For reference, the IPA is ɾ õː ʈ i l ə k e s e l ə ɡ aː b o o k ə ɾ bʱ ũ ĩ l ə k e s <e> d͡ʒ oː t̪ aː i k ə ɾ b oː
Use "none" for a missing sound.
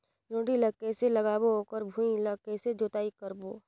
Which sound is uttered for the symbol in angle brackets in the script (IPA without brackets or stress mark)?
e